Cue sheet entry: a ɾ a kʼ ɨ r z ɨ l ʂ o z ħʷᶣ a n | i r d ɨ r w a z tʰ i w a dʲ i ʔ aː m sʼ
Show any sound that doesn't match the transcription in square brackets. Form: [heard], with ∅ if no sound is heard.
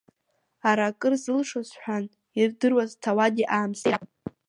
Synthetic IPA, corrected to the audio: a ɾ a kʼ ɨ r z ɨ l ʂ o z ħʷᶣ a n | i r d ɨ r w a z tʰ [a] w a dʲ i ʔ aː m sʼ